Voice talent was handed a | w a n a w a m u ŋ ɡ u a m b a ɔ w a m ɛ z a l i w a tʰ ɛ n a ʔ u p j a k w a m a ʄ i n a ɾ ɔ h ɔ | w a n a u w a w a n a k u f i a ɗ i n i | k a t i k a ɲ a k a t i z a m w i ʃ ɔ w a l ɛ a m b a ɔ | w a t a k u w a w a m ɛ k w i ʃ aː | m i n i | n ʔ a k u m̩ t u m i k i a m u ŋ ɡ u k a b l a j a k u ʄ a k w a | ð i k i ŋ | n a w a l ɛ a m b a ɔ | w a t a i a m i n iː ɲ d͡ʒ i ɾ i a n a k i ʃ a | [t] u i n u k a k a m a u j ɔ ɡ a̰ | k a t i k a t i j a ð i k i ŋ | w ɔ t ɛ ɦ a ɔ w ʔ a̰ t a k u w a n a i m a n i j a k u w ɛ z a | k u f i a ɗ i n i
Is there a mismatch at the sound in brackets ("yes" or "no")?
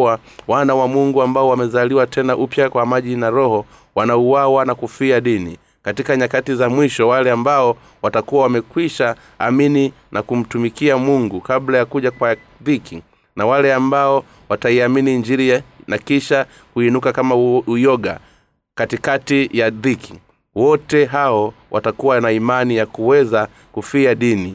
yes